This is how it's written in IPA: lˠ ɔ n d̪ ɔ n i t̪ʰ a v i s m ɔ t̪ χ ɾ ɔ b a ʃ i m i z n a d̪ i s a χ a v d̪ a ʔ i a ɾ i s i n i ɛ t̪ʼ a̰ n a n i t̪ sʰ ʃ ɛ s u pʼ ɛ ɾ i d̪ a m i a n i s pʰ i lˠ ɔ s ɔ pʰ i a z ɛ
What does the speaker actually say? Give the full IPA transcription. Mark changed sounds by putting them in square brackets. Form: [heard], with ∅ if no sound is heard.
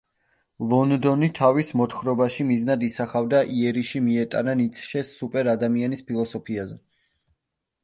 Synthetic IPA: lˠ ɔ n d̪ ɔ n i t̪ʰ a v i s m ɔ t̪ χ ɾ ɔ b a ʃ i m i z n a d̪ i s a χ a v d̪ a ʔ i [ɛ] ɾ i [ʃ] i [m] i ɛ t̪ʼ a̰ n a n i t̪ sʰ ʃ ɛ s u pʼ ɛ ɾ [a] d̪ a m i a n i s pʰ i lˠ ɔ s ɔ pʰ i a z ɛ